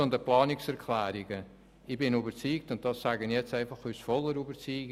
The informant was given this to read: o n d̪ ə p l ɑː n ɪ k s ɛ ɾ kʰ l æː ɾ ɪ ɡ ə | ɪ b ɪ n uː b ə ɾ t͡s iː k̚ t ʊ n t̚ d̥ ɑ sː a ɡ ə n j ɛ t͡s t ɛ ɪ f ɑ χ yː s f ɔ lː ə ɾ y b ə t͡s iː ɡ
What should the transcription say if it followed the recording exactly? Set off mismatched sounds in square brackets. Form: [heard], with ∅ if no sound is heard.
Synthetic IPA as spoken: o n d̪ ə p l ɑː n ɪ k s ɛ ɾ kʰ l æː ɾ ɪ ɡ ə | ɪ b ɪ n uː b ə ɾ t͡s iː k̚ t ʊ n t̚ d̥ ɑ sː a ɡ ə n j ɛ t͡s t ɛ ɪ f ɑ χ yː s f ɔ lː ə ɾ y b ə t͡s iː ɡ